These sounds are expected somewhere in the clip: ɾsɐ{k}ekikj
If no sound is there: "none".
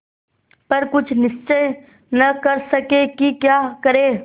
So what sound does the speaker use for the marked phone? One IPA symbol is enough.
k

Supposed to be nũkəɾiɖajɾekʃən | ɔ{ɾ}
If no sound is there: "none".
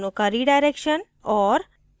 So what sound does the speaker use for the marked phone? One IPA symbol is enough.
ɾ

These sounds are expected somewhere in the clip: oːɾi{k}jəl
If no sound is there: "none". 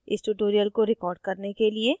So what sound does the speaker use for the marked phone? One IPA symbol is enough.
none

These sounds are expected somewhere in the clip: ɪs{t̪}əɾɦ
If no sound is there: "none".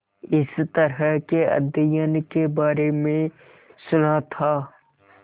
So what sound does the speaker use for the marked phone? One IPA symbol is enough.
t̪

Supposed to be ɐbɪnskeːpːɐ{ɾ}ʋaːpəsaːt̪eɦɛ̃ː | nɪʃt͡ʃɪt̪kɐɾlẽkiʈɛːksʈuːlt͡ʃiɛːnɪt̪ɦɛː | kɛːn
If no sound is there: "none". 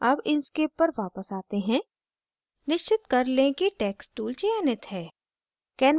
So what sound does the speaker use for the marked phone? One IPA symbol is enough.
ɾ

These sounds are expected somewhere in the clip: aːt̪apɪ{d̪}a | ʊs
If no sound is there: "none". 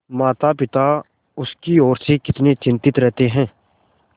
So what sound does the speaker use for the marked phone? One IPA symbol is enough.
t̪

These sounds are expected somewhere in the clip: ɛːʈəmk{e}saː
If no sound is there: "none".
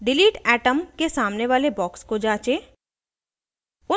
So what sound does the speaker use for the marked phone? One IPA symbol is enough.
e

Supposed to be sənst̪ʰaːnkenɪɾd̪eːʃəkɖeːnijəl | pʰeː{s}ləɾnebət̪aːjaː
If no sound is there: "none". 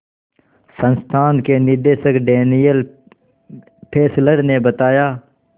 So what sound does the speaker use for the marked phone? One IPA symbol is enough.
s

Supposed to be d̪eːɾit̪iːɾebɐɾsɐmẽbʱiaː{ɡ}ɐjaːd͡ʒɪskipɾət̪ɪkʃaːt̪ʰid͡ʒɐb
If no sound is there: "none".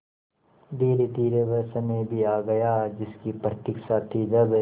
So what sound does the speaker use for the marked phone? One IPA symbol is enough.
ɡ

